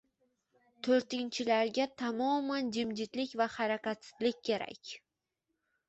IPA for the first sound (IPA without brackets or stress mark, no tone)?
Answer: t̪ʰ